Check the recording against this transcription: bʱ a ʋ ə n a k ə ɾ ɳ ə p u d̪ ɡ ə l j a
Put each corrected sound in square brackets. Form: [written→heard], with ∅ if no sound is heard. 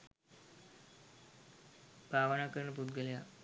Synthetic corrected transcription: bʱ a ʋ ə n a k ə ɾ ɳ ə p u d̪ ɡ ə l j a